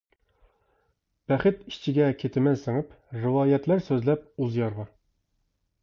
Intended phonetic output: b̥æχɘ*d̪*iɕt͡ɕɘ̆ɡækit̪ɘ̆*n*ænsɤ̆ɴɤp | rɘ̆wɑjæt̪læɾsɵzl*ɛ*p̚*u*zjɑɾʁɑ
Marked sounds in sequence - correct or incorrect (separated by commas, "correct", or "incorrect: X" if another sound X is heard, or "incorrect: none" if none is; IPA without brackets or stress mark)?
incorrect: t̪, incorrect: m, incorrect: æ, correct